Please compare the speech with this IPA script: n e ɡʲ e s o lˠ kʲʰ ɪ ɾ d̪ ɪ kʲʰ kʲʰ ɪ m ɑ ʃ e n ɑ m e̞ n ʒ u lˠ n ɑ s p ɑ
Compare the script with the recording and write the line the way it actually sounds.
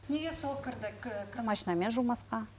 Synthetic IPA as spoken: n e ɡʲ e s o lˠ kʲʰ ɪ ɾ d̪ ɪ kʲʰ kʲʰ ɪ m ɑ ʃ i n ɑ m e̞ n ʒ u lˠ m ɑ s q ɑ